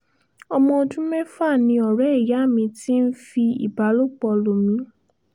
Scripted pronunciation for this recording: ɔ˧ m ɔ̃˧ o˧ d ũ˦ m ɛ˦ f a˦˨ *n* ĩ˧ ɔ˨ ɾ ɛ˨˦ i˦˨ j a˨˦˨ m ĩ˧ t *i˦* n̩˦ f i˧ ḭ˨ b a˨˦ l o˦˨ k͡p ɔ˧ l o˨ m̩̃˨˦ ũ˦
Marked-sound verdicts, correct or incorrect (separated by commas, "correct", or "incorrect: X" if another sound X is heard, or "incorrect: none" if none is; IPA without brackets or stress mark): correct, correct